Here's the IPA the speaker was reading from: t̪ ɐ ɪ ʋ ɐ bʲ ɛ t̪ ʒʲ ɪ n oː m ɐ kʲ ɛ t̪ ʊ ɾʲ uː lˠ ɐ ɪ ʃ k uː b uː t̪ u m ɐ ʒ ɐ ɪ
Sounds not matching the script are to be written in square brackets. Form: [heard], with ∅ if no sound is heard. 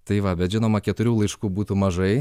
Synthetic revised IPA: t̪ ɐ ɪ ʋ ɐ bʲ ɛ t̪ ʒʲ ɪ n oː m ɐ kʲ ɛ t̪ ʊ ɾʲ uː lˠ ɐ ɪ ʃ k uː b uː t̪ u m ɐ ʒ ɐ ɪ